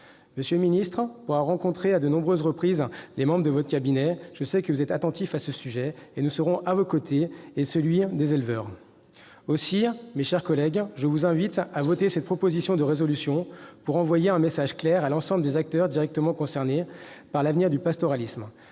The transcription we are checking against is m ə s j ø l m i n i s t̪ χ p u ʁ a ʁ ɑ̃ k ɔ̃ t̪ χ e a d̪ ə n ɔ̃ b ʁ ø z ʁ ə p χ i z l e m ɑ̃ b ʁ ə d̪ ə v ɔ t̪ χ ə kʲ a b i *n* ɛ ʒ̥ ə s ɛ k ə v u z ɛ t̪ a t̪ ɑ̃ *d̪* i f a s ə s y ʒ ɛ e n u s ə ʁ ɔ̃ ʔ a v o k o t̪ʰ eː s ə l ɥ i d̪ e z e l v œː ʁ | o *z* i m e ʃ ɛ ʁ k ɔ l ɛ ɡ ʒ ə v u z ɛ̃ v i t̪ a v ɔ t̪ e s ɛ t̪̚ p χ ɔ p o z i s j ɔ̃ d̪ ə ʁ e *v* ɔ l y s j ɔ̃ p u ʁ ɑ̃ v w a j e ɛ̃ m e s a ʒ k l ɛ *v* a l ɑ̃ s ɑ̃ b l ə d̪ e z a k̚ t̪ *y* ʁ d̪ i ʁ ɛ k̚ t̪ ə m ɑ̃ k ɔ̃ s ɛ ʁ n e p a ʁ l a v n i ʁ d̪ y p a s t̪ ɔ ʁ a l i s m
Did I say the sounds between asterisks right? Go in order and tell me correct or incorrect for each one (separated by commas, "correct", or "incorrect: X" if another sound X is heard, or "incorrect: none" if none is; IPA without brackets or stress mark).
correct, incorrect: t̪, incorrect: s, incorrect: z, incorrect: ʁ, incorrect: œ